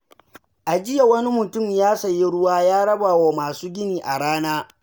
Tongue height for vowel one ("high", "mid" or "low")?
low